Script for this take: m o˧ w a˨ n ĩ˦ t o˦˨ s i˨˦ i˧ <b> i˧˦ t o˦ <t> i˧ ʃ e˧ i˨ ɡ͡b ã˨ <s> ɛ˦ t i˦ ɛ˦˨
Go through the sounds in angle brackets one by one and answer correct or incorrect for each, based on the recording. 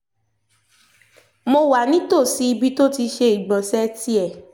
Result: correct, correct, correct

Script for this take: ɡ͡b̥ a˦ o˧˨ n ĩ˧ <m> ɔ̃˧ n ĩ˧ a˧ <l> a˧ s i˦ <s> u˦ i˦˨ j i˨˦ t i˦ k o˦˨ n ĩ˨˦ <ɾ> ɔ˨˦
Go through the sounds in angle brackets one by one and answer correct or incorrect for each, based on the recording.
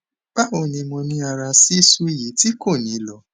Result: correct, incorrect: ɾ, correct, incorrect: l

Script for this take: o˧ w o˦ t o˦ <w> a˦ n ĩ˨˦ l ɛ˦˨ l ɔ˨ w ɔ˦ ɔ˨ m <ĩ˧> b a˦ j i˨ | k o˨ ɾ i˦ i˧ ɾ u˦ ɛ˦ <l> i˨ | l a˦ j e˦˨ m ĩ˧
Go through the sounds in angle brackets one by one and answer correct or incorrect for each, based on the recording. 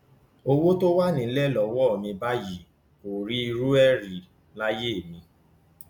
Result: correct, correct, incorrect: ɾ

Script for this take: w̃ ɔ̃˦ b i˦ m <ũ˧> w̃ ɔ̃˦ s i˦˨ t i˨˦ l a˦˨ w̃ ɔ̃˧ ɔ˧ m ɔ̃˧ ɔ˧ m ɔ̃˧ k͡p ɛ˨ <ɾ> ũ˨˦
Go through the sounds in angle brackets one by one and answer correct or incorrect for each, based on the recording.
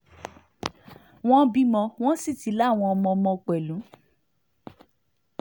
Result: incorrect: ɔ̃˧, incorrect: l

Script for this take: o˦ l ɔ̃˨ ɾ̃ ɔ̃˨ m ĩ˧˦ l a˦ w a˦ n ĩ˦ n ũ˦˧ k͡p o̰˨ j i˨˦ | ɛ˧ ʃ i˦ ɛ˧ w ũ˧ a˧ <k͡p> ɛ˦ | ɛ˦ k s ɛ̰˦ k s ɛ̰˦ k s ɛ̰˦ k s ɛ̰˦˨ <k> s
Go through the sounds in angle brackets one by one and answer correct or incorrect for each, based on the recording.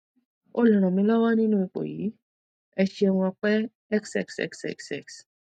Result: correct, correct

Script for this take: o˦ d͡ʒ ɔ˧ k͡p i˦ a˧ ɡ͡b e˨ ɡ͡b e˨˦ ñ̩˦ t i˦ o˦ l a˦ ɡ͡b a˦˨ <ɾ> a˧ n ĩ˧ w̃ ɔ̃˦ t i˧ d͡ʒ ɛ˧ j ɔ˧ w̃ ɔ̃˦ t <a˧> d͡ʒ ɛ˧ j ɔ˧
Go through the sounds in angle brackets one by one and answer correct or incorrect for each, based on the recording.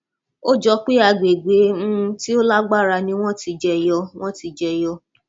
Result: correct, incorrect: i˧

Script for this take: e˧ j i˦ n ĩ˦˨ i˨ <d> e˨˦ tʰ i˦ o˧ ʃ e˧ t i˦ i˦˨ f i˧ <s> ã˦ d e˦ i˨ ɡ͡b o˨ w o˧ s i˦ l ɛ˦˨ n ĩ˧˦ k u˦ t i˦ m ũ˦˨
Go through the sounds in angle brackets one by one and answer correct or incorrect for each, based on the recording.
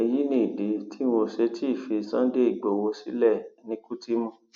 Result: correct, correct

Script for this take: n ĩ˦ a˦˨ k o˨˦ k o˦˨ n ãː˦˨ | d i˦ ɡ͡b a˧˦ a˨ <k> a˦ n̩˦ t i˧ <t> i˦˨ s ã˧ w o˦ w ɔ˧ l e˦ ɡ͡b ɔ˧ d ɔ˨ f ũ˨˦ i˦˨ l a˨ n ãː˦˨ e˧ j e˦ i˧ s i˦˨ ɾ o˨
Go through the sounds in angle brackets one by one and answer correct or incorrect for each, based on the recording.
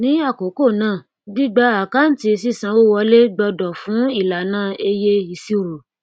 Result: correct, incorrect: s

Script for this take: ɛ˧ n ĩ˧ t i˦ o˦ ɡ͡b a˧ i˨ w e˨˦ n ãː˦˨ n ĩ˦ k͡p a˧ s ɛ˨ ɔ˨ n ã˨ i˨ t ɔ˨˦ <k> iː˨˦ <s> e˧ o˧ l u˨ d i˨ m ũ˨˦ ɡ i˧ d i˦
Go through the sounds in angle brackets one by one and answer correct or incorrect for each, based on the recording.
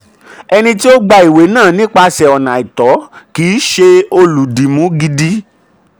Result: correct, incorrect: ʃ

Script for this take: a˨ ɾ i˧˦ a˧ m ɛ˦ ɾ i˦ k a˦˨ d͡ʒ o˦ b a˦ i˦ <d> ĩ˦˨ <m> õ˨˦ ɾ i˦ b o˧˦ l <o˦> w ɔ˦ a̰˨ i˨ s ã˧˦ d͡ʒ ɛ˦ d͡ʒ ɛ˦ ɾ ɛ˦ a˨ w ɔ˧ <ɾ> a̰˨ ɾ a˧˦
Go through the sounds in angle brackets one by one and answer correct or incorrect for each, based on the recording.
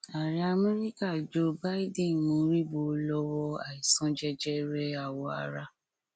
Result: correct, correct, incorrect: ɔ˦, incorrect: none

